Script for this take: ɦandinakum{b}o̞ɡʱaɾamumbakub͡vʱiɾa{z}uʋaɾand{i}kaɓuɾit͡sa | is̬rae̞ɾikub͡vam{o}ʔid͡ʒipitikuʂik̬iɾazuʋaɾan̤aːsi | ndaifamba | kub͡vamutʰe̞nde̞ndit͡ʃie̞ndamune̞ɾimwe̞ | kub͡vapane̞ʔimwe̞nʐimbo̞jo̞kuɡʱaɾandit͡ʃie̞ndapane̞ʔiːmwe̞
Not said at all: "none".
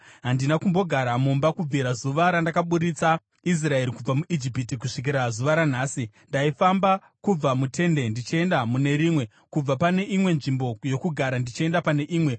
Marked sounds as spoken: b, z, a, u

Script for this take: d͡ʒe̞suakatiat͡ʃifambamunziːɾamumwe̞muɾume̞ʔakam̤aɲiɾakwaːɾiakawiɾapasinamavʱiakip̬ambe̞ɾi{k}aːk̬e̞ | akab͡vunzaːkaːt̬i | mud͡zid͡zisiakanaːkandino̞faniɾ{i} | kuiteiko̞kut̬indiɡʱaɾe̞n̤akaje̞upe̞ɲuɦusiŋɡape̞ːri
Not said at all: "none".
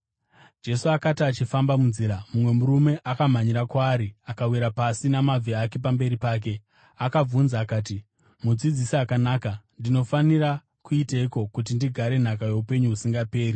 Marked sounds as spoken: p, a

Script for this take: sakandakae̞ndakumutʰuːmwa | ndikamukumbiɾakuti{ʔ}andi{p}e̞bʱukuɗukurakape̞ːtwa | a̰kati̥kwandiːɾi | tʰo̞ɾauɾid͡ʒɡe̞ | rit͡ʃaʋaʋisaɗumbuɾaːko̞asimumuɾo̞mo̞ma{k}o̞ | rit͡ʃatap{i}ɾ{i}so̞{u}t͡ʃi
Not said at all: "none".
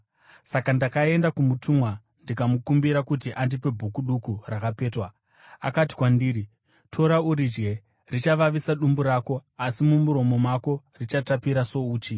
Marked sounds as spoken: ʔ, p, k, i, a, uː

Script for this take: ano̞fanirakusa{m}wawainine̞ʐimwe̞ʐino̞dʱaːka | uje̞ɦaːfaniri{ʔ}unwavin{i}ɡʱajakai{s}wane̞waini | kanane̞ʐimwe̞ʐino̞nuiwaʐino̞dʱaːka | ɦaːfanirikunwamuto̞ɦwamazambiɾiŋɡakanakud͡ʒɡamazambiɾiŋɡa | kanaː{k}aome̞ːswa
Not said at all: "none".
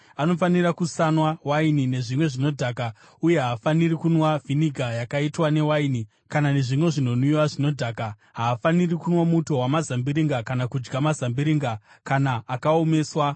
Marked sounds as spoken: n, k, i, t, k

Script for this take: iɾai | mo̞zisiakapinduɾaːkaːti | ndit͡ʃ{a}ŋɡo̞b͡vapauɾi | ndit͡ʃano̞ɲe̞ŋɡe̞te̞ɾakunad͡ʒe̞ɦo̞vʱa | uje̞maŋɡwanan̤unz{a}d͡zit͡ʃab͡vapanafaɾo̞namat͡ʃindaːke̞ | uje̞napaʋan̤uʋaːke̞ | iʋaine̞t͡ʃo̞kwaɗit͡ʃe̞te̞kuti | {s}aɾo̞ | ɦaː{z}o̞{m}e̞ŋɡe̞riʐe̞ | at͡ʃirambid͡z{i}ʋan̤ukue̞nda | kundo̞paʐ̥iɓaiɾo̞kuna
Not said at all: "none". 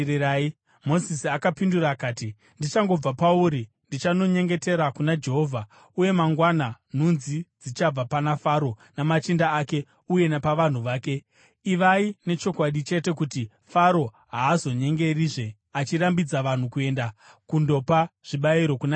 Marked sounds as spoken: a, i, f, z, ɲ, a

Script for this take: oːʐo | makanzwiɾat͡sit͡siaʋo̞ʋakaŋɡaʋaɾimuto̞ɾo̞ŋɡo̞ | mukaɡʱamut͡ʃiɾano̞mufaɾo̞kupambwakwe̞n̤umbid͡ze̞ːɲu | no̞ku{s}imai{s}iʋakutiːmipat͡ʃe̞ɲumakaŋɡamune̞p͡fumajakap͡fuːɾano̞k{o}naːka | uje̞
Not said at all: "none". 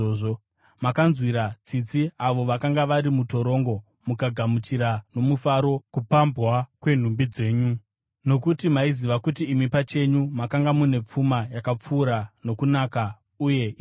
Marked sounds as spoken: t, z, u

